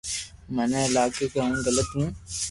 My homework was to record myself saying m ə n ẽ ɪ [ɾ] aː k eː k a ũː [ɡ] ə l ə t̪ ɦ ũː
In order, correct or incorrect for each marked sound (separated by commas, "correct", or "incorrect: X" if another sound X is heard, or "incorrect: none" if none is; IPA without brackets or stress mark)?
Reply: incorrect: l, correct